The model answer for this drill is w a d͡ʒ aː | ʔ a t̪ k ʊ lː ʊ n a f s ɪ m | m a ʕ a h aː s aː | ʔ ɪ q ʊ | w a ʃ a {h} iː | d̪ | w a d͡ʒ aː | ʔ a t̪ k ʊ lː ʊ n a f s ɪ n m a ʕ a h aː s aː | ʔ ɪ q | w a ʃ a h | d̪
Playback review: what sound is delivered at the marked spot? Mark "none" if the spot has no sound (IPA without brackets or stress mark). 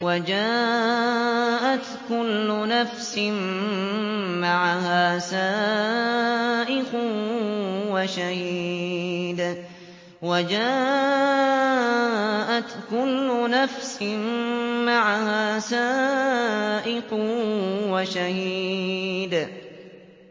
h